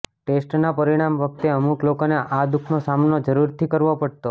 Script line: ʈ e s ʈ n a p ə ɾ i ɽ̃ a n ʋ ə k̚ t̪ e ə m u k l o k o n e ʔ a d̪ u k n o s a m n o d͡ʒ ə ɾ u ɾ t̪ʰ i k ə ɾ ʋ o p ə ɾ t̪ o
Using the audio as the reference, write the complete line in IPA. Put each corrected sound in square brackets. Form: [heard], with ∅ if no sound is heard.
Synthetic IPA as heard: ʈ e s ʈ n a p ə ɾ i ɽ̃ a [m] ʋ ə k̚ t̪ e ə m u k l o k o n e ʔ a d̪ u [kʰ] n o s a m n o d͡ʒ ə ɾ u ɾ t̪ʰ i k ə ɾ ʋ o p ə [ɽ] t̪ o